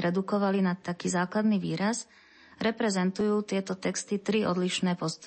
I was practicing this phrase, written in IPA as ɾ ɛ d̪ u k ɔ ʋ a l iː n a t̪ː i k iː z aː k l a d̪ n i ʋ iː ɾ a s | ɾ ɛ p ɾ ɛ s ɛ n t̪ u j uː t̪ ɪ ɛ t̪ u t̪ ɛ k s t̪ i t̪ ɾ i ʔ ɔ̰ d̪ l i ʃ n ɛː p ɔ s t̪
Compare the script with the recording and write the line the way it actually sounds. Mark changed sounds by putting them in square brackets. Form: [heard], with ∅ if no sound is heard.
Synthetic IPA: ɾ ɛ d̪ u k ɔ ʋ a l [i] n a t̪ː [a] k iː z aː k l a d̪ n i ʋ iː ɾ a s | ɾ ɛ p ɾ ɛ [z] ɛ n t̪ u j uː t̪ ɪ ɛ t̪ [ɔ] t̪ ɛ k s t̪ i t̪ ɾ i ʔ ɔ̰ d̪ l i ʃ n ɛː p ɔ s t̪